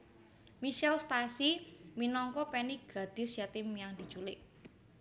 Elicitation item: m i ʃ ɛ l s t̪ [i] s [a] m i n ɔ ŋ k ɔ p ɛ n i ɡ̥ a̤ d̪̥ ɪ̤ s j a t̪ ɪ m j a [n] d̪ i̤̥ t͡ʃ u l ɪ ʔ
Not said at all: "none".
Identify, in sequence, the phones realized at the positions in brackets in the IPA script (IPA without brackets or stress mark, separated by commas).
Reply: a, i, ŋ